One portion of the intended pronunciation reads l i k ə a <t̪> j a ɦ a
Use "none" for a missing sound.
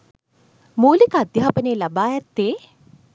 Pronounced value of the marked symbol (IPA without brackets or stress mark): d̪